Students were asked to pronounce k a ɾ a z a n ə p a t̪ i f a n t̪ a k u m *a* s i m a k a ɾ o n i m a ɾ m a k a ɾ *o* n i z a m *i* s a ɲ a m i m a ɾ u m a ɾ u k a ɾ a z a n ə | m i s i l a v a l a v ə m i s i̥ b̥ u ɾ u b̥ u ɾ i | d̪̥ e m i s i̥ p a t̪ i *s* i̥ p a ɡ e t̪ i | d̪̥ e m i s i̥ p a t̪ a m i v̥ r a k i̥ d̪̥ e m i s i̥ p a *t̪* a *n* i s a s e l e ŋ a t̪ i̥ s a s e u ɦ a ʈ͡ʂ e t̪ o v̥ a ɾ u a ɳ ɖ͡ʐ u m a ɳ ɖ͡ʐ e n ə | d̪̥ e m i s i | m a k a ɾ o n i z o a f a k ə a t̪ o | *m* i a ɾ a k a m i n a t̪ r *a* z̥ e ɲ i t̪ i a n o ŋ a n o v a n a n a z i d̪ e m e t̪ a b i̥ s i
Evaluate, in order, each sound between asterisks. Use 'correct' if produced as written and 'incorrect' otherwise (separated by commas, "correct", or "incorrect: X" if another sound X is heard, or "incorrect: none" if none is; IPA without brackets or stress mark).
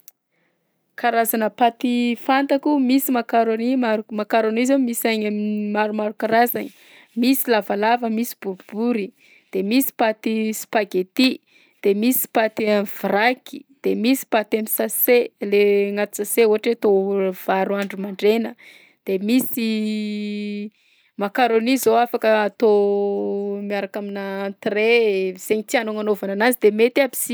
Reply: incorrect: i, correct, correct, correct, correct, incorrect: m, correct, incorrect: e